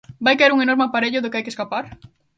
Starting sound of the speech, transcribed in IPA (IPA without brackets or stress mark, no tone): b